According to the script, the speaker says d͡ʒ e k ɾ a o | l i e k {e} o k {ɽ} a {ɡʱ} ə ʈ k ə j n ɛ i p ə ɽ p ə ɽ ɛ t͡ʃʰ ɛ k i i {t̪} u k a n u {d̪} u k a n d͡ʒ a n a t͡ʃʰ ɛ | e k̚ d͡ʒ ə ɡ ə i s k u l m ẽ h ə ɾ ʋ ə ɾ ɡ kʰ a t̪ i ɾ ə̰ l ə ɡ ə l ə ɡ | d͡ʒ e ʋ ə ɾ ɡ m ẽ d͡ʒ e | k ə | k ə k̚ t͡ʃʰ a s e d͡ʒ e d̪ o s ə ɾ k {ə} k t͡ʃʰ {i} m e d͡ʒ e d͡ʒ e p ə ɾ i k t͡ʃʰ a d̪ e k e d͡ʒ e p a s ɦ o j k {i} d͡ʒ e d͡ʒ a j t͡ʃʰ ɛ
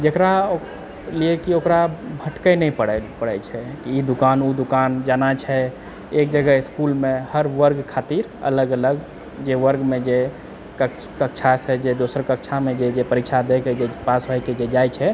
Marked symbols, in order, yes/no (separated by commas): no, no, no, no, yes, yes, no, no